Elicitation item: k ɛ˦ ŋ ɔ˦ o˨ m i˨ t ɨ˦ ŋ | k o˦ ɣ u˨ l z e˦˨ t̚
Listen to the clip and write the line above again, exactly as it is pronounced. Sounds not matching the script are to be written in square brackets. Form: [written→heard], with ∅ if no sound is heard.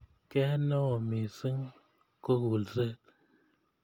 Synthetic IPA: k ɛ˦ [ŋ→n] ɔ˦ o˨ m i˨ [t→s] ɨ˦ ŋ | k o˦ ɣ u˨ l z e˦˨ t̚